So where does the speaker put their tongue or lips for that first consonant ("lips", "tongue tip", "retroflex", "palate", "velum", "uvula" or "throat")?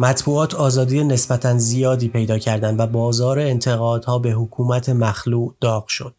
lips